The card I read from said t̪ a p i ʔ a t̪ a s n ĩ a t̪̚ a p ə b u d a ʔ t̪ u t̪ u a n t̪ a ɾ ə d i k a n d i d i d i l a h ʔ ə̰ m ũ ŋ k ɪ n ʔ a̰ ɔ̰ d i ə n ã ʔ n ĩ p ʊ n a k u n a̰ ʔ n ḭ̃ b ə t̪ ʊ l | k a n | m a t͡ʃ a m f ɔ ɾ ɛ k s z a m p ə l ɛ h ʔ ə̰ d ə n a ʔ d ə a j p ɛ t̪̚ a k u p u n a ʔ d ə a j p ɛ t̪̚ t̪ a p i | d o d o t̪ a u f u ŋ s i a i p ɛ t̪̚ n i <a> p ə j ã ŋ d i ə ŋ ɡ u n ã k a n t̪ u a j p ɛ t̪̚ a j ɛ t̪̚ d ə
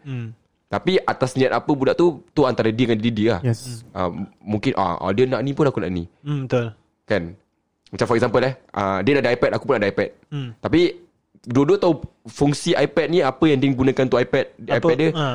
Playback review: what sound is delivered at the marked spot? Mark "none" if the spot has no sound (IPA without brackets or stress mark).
a